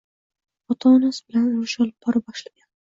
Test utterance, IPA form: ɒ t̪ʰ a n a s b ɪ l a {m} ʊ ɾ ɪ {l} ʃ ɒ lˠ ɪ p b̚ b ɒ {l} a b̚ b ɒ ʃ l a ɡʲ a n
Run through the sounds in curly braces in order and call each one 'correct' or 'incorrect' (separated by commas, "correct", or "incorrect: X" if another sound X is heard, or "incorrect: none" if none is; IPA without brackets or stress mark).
incorrect: n, incorrect: none, incorrect: ɾ